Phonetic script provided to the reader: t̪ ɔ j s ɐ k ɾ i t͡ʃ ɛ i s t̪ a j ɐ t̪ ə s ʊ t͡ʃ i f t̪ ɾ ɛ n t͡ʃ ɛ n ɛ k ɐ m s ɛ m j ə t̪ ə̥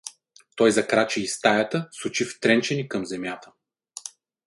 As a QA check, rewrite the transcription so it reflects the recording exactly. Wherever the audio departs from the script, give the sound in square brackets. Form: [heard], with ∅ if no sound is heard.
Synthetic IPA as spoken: t̪ ɔ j [z] ɐ k ɾ [a] t͡ʃ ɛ i s t̪ a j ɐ t̪ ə s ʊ t͡ʃ i f t̪ ɾ ɛ n t͡ʃ ɛ n [i] k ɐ m [z] ɛ m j [a] t̪ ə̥